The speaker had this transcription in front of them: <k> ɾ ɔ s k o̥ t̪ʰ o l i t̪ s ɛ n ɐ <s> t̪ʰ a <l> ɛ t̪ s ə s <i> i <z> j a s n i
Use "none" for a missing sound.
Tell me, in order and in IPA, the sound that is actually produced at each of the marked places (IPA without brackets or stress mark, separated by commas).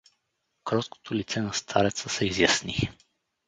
k, s, ɾ, ɛ, z